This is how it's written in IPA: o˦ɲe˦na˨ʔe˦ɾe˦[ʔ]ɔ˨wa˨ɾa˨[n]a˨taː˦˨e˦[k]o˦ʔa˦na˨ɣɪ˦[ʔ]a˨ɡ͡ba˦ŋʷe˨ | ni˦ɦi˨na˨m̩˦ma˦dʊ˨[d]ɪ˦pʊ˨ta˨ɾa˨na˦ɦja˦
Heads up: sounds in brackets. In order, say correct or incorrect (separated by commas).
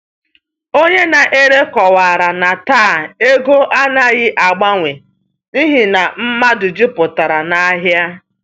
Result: incorrect, correct, incorrect, correct, incorrect